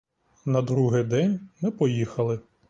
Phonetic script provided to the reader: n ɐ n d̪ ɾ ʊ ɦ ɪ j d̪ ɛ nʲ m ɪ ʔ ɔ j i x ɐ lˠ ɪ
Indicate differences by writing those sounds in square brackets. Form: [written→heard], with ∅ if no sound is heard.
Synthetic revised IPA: n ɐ [n→∅] d̪ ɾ [ʊ→u] ɦ ɪ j d̪ ɛ nʲ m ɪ [ʔ→p] ɔ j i x ɐ lˠ ɪ